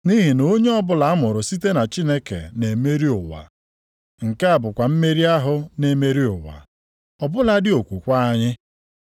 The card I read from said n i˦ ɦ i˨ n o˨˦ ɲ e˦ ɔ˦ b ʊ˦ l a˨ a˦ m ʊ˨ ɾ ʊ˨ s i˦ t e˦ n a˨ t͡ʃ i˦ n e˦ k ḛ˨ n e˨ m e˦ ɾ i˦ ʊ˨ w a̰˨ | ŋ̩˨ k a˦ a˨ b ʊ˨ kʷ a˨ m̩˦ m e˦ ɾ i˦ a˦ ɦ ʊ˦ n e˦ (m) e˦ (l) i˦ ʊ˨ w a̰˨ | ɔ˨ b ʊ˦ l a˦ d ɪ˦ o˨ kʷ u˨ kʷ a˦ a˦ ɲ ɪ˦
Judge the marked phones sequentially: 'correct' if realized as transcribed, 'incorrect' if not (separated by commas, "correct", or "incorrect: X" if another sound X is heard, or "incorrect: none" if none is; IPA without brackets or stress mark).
correct, incorrect: ɾ